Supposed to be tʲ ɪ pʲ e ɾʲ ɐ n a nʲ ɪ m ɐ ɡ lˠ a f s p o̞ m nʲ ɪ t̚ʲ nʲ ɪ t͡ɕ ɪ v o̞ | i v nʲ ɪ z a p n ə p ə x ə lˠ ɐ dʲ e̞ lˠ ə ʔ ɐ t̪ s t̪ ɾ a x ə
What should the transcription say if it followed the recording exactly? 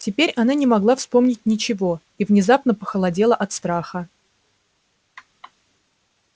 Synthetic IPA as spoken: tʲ ɪ pʲ e ɾʲ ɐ n a nʲ ɪ m ɐ ɡ lˠ a f s p o̞ m nʲ ɪ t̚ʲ nʲ ɪ t͡ɕ ɪ v o̞ | i v nʲ ɪ z a p n ə p ə x ə lˠ ɐ dʲ e̞ lˠ ə ʔ ɐ t̪ s t̪ ɾ a x ə